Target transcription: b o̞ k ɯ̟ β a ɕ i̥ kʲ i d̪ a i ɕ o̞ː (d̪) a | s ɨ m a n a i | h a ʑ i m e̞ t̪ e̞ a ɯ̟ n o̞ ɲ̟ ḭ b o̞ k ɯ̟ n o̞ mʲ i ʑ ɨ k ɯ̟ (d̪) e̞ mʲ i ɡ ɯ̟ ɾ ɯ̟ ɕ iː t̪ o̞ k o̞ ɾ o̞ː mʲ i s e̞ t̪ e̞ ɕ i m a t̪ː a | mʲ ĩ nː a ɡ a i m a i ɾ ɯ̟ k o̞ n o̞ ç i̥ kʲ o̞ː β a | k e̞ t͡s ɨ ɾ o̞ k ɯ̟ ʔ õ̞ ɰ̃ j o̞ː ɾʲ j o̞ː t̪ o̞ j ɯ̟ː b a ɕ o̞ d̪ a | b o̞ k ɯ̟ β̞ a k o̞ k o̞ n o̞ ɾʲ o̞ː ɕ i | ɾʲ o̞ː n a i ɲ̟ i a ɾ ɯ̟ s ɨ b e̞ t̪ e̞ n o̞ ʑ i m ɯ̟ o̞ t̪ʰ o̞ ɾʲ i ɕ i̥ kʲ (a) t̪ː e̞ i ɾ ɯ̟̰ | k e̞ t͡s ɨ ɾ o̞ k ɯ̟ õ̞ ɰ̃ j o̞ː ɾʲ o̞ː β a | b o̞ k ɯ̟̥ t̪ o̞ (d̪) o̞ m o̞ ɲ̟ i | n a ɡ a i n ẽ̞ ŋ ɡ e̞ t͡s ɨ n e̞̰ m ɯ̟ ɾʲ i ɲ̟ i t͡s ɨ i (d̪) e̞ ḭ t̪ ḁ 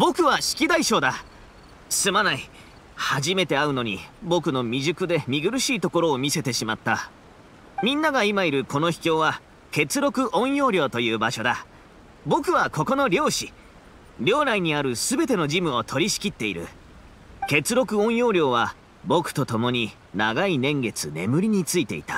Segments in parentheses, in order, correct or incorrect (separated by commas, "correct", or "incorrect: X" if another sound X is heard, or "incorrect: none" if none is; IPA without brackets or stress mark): correct, correct, incorrect: i, incorrect: t̪, incorrect: t̪